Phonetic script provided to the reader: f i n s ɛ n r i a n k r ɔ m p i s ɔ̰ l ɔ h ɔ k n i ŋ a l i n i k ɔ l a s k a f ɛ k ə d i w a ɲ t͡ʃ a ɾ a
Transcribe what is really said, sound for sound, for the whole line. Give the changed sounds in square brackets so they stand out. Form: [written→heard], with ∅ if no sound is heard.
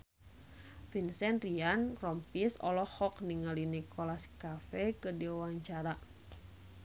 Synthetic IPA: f i n s ɛ n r i a n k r ɔ m p i s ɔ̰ l ɔ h ɔ k n i ŋ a l i n i k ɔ l a s k a f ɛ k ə d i w a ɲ t͡ʃ a ɾ a